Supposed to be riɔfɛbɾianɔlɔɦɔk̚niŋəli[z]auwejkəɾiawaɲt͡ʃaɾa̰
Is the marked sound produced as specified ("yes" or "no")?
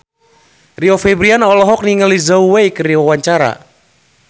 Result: yes